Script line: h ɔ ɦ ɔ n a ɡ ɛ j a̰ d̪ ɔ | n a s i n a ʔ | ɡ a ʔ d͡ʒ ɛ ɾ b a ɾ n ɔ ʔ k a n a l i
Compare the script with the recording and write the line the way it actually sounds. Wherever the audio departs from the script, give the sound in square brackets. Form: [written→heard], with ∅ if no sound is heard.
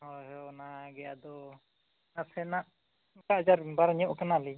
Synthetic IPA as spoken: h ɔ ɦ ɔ n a ɡ ɛ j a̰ d̪ ɔ | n a s [i→ɛ] n a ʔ | [ɡ→k] a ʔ d͡ʒ [ɛ→a] ɾ b a ɾ [n→ɲ] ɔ ʔ k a n a l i